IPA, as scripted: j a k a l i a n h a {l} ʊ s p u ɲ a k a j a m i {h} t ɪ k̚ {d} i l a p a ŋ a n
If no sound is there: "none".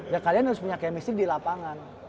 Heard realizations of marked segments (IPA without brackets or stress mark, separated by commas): ɾ, s, d